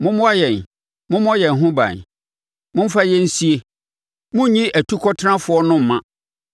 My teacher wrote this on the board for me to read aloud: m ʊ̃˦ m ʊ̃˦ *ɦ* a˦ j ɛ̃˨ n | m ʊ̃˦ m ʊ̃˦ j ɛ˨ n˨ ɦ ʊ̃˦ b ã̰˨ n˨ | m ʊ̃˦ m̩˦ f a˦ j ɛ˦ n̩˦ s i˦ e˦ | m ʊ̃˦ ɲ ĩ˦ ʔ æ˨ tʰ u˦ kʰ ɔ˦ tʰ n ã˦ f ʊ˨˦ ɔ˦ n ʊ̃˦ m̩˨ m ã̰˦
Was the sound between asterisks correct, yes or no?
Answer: no